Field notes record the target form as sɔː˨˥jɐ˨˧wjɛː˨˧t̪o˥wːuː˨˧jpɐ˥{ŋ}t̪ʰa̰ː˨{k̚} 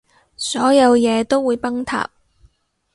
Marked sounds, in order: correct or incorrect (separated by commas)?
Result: correct, incorrect